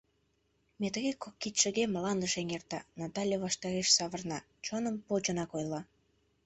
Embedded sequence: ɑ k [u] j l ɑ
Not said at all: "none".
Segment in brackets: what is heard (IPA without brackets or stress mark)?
o